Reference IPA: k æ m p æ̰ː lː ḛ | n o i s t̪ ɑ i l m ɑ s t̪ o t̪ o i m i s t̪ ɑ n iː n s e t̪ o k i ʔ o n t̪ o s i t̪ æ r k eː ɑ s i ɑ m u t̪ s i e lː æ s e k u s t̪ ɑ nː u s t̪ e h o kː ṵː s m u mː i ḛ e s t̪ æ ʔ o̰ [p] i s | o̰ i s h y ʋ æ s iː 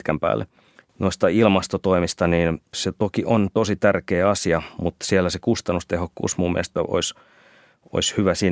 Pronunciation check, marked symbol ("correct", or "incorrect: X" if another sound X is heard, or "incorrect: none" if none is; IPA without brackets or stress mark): incorrect: none